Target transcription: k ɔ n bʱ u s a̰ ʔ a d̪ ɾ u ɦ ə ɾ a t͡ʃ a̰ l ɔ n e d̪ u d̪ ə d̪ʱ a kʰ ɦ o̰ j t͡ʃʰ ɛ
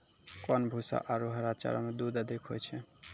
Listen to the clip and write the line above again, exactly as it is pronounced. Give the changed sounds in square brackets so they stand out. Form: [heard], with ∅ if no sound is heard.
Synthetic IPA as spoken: k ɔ n bʱ u s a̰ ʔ a [∅] ɾ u ɦ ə ɾ a t͡ʃ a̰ [ɾ] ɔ [m] e d̪ u d̪ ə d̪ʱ [i] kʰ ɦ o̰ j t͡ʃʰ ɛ